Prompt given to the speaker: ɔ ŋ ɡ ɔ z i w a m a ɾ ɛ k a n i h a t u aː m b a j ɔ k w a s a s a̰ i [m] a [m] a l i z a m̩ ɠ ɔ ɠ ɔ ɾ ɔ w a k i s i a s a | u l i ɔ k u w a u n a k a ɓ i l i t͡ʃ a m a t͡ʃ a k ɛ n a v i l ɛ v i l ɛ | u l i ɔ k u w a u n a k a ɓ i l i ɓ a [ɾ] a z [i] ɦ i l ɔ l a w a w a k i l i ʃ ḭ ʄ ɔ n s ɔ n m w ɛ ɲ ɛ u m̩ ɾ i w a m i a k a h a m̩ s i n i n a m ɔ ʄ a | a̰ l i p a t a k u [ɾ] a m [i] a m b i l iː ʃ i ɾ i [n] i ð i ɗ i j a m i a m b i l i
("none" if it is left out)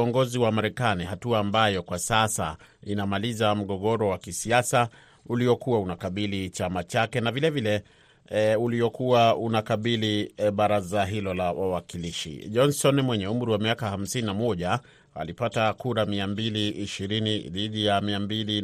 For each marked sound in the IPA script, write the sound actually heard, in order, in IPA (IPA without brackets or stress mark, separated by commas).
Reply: n, m, ɾ, a, ɾ, i, n